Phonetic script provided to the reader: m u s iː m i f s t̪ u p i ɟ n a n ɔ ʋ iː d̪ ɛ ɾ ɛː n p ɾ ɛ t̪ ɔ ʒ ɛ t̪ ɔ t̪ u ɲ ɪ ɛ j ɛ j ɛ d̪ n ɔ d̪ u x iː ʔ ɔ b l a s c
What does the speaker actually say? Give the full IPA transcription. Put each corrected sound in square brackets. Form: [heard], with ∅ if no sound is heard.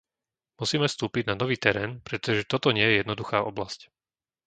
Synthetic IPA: m u s iː m [ɛ] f s t̪ [uː] p i ɟ n a n ɔ ʋ iː [t̪] ɛ ɾ ɛː n p ɾ ɛ t̪ ɔ ʒ ɛ t̪ ɔ t̪ [ɔ] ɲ ɪ ɛ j ɛ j ɛ d̪ n ɔ d̪ u x [aː] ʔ ɔ b l a s c